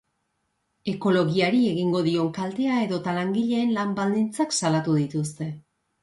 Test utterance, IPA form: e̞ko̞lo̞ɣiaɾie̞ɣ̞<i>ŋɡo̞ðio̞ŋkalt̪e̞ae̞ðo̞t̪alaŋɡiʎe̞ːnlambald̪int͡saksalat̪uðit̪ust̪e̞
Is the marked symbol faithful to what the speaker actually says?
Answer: yes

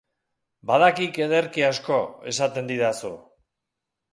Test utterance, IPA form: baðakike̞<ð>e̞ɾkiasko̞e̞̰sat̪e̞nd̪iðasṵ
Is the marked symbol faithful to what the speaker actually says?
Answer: yes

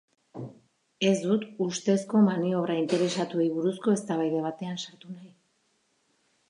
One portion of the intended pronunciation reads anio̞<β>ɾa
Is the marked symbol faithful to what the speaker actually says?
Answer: yes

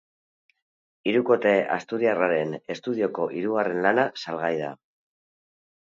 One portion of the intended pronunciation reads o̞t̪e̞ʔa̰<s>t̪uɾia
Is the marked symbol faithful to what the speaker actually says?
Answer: yes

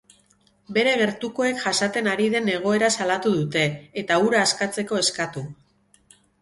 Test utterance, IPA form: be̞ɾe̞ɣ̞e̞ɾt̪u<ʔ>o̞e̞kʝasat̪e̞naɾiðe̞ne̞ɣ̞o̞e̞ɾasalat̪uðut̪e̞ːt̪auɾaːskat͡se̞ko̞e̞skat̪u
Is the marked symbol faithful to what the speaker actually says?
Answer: no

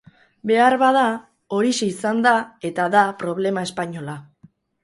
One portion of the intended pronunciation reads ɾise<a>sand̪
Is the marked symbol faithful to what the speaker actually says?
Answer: no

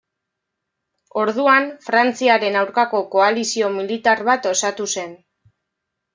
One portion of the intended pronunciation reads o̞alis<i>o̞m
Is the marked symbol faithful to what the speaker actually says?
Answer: yes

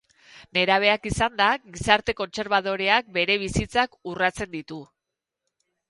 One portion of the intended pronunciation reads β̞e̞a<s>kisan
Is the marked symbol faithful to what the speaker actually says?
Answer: no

